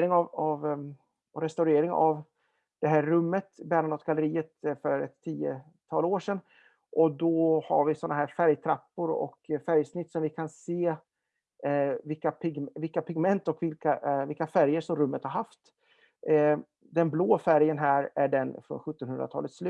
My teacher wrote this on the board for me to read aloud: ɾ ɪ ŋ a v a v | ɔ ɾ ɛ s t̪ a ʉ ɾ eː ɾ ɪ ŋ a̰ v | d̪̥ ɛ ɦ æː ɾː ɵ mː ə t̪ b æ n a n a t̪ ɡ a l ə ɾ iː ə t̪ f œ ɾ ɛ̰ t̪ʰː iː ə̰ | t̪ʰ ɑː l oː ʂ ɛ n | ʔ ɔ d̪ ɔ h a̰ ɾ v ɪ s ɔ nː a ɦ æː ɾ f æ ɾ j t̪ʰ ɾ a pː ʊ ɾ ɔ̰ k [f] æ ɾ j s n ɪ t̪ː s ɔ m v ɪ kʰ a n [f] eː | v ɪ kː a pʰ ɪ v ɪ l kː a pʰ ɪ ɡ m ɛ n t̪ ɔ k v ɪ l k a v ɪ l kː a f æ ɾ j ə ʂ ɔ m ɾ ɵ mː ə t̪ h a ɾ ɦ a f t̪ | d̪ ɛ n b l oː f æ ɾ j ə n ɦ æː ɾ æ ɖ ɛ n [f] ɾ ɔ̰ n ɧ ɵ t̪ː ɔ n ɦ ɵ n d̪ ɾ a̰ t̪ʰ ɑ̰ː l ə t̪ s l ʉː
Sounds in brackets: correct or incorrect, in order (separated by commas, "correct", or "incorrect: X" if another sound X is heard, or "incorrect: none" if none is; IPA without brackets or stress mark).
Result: correct, incorrect: s, correct